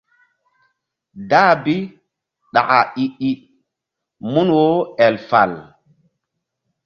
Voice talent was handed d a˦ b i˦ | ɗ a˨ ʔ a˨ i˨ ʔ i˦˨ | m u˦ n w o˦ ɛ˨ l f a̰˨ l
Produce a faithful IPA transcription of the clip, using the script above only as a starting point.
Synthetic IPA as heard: d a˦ b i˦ | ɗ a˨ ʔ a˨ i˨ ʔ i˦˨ | m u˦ n w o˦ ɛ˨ l f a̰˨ l